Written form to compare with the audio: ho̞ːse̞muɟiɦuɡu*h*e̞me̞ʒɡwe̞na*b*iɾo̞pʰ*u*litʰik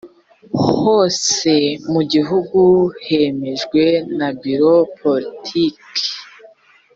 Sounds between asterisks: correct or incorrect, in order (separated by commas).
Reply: correct, correct, incorrect